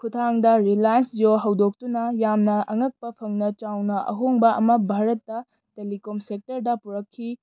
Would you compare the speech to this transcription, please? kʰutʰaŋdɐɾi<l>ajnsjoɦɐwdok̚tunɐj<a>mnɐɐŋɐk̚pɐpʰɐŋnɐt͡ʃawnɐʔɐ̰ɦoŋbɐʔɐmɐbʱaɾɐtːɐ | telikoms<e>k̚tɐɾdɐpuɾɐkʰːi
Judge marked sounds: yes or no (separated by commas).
yes, yes, yes